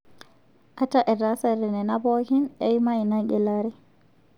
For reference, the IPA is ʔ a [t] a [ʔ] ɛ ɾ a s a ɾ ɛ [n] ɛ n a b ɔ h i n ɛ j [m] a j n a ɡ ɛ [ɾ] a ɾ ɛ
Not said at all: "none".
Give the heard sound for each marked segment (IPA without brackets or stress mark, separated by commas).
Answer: t, ʔ, n, m, l